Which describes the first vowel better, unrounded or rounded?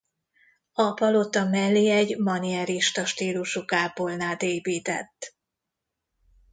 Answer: rounded